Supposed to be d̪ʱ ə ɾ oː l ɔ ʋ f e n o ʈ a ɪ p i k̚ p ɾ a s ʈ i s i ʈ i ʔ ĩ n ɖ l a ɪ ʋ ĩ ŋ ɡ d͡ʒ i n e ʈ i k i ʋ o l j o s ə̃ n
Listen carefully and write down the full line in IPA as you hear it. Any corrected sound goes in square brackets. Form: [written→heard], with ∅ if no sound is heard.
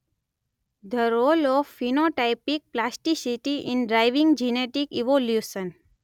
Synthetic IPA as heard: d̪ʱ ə ɾ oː l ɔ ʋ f [e→i] n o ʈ a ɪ p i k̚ p [ɾ→l] a s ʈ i s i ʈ i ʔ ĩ n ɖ [l→ɾ] a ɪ ʋ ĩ ŋ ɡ d͡ʒ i n e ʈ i k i ʋ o l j [o→u] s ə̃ n